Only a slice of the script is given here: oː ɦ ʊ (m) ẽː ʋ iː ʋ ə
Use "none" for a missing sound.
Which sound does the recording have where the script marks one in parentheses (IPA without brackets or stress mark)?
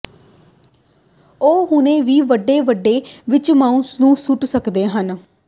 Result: n